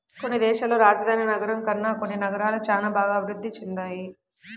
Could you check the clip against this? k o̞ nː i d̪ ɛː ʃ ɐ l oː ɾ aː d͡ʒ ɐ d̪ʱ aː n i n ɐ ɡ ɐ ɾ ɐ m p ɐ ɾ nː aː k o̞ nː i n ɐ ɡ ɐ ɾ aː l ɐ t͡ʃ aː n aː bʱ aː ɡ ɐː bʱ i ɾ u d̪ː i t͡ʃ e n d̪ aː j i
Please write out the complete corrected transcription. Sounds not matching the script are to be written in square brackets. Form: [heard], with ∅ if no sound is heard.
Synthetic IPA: k o̞ nː i d̪ ɛː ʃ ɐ l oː ɾ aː d͡ʒ ɐ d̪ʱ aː n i n ɐ ɡ ɐ ɾ ɐ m [k] ɐ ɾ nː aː k o̞ nː i n ɐ ɡ ɐ ɾ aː l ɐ t͡ʃ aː n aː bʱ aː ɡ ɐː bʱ i ɾ u d̪ː i t͡ʃ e n d̪ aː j i